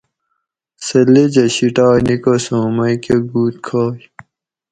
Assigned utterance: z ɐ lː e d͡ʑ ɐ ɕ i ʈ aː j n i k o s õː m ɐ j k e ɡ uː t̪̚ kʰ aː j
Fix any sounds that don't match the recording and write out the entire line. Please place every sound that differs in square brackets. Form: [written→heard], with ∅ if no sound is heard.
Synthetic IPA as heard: [z→s] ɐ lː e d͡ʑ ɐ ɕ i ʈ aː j n i k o s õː m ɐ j k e ɡ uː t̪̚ kʰ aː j